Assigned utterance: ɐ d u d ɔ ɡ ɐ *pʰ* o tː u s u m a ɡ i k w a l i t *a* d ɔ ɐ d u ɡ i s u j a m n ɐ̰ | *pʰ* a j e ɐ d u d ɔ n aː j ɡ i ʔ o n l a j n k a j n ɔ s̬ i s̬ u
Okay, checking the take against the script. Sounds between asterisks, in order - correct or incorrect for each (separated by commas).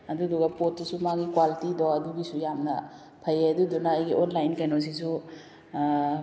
incorrect, incorrect, correct